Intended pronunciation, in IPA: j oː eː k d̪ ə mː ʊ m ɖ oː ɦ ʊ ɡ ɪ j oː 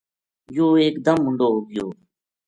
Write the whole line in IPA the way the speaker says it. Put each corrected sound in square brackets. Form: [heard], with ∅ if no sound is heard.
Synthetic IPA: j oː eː k d̪ ə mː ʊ [ɳ] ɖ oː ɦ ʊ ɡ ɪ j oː